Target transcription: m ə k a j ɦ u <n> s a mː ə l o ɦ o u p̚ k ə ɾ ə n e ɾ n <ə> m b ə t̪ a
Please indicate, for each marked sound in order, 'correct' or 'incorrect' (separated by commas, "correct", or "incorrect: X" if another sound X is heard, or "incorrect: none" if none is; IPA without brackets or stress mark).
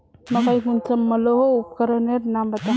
correct, incorrect: a